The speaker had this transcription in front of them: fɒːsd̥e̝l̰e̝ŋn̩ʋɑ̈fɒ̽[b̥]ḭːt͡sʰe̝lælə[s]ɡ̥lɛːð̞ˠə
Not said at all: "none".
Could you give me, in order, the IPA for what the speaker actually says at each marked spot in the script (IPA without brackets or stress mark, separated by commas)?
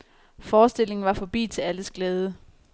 b̥, s